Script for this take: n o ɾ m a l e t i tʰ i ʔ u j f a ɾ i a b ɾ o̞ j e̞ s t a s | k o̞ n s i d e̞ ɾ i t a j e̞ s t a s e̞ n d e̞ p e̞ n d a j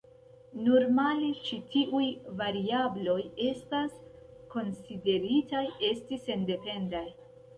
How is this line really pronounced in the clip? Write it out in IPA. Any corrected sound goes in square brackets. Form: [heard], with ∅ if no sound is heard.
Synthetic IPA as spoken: n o ɾ m a l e [t͡ʃ] i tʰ i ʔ u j [v] a ɾ i a b [l] o̞ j e̞ s t a s | k o̞ n s i d e̞ ɾ i t a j e̞ s t [i] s e̞ n d e̞ p e̞ n d a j